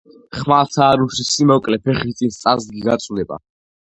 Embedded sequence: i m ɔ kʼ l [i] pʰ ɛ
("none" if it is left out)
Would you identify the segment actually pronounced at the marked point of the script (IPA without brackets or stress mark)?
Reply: ɛ